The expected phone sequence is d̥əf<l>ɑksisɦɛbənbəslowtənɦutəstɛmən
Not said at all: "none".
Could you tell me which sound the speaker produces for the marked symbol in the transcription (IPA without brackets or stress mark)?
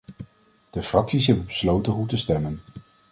r